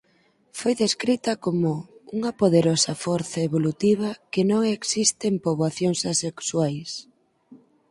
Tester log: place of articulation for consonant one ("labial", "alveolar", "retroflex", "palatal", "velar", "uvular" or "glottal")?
labial